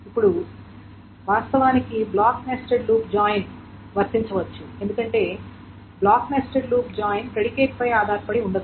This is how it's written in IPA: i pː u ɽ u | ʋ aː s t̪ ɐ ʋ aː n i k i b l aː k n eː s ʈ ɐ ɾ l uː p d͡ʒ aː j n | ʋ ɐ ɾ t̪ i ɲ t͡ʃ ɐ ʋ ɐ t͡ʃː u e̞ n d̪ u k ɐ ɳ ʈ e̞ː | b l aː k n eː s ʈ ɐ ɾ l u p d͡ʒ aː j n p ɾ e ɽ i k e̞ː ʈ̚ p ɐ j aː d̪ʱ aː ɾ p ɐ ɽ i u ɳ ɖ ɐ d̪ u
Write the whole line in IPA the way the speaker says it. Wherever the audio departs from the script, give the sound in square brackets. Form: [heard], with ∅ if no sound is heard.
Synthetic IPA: i pː u ɽ u | ʋ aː s t̪ ɐ ʋ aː n i k i b l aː k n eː s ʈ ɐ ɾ l uː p d͡ʒ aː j n | ʋ ɐ ɾ t̪ i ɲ t͡ʃ ɐ ʋ ɐ t͡ʃː u e̞ n d̪ u k ɐ ɳ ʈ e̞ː | b l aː k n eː s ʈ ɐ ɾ l [uː] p d͡ʒ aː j n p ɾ e ɽ i k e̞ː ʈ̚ p ɐ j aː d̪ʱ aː ɾ p ɐ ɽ i u ɳ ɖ ɐ d̪ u